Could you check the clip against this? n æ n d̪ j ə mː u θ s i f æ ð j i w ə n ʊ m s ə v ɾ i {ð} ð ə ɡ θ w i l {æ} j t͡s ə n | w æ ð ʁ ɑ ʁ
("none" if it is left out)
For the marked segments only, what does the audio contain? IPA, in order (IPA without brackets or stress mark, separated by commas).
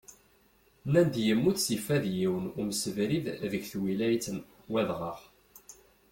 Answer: ð, æ